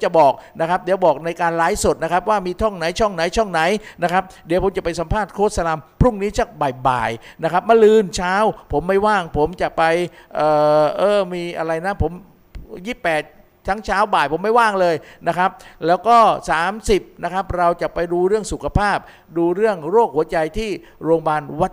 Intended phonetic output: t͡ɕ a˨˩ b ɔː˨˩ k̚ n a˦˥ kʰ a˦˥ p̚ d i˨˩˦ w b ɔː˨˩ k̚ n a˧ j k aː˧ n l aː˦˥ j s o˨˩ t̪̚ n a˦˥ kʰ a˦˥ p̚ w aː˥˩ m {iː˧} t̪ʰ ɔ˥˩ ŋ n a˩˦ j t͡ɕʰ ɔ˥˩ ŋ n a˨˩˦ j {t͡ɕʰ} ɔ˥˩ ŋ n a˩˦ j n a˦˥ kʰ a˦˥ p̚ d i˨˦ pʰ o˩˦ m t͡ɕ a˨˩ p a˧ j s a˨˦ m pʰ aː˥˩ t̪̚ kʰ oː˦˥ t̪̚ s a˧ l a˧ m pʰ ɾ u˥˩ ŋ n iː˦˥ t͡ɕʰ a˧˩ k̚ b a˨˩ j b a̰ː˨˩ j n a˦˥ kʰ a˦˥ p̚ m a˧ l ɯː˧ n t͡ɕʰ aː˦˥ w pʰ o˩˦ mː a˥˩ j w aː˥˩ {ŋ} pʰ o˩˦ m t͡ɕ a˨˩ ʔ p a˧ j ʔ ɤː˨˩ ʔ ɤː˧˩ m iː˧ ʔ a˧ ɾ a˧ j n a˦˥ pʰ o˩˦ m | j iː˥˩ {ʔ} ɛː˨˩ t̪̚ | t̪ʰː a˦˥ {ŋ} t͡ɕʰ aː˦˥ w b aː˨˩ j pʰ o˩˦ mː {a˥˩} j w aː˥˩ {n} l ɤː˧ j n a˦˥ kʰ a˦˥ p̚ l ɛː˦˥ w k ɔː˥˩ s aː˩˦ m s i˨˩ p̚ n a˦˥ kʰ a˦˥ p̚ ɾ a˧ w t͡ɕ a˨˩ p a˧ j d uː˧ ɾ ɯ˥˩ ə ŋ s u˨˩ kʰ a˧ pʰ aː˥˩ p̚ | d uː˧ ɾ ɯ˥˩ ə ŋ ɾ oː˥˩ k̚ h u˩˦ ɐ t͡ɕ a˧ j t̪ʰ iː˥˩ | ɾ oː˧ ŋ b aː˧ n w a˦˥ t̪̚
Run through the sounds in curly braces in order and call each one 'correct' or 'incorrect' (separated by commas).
correct, correct, correct, incorrect, correct, correct, incorrect